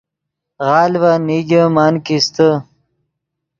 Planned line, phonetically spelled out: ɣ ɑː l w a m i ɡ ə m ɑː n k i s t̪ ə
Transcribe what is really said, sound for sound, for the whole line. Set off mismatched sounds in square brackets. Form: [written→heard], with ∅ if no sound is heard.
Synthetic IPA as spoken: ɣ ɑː l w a [m→n] i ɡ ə m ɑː n k i s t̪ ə